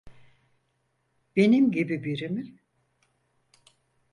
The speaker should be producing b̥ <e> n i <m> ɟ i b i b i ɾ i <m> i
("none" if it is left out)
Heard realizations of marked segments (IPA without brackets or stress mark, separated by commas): e, m, m